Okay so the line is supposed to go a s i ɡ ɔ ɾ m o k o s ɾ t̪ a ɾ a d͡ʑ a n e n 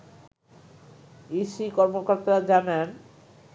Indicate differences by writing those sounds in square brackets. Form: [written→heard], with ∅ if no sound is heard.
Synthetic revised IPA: [a→i] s i [ɡ→k] ɔ ɾ m o k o [s→∅] ɾ t̪ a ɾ a d͡ʑ a n e n